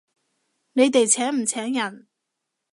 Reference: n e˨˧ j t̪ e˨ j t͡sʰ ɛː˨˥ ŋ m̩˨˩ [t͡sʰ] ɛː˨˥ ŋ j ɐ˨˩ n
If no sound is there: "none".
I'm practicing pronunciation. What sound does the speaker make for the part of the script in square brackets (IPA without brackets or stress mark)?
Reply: t͡sʰ